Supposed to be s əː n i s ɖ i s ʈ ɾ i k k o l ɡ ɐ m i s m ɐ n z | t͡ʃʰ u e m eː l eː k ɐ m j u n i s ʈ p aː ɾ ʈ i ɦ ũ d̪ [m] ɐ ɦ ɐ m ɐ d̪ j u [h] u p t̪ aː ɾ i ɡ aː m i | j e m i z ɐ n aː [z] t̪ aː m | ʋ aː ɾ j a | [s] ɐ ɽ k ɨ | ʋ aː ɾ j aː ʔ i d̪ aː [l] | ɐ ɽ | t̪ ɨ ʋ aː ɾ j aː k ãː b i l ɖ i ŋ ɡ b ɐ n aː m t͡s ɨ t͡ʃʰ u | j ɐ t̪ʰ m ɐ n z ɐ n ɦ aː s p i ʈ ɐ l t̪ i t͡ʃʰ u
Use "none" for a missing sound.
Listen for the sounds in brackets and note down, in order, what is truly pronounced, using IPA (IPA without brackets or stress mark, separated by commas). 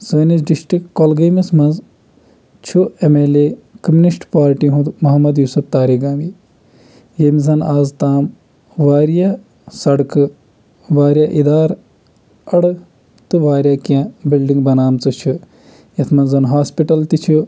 m, s, z, s, ɾ